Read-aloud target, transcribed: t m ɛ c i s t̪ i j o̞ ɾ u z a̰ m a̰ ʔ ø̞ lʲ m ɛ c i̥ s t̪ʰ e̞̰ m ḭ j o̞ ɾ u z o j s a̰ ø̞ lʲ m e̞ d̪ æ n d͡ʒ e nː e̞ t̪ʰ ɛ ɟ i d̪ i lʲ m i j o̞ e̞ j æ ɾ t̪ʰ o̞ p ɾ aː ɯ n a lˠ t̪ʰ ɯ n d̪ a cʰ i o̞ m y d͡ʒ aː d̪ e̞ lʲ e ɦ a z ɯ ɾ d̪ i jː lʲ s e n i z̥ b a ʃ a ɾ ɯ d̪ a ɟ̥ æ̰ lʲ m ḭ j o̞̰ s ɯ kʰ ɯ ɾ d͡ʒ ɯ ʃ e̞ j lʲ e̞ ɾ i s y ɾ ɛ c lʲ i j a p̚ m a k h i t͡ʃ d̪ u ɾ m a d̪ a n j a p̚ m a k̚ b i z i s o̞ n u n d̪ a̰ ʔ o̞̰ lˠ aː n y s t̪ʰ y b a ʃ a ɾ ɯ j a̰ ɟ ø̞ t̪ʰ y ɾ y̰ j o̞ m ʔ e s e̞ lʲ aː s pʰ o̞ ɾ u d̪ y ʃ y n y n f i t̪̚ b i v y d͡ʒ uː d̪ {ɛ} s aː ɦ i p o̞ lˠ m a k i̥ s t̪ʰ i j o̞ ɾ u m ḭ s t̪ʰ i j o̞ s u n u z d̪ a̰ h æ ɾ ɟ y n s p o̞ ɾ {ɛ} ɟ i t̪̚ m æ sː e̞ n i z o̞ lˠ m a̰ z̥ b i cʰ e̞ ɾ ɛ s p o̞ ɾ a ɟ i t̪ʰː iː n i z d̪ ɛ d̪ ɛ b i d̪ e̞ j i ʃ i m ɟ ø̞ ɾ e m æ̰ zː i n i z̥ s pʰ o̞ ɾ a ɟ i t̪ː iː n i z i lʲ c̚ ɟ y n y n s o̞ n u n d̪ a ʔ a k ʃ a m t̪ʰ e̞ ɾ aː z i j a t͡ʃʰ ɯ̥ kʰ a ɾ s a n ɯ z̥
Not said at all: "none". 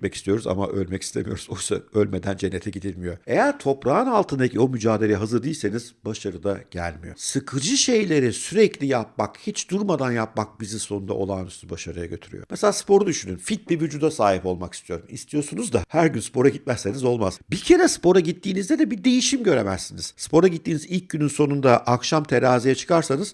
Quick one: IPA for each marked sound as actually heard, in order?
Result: a, a

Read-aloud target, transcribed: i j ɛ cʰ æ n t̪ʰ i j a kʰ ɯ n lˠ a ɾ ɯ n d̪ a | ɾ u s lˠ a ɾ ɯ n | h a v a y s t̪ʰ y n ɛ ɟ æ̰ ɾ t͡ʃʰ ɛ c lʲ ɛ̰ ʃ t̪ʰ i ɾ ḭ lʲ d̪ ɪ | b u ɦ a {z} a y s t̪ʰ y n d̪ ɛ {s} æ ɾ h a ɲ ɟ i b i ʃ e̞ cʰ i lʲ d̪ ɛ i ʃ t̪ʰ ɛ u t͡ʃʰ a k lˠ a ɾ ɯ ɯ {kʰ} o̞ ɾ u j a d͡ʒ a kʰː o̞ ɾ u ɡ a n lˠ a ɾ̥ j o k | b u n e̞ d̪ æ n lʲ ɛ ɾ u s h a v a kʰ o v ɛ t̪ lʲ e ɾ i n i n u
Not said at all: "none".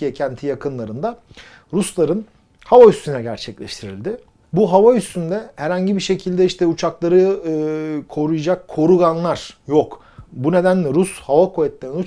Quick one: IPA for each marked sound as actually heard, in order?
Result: v, h, kʰ

